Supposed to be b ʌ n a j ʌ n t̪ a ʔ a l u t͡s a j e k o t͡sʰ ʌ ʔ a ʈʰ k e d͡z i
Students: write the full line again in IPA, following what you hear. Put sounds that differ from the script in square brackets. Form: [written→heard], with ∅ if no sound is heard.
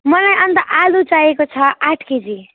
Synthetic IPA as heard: [b→m] ʌ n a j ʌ n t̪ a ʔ a l u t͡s a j e k o t͡sʰ ʌ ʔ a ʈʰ k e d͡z i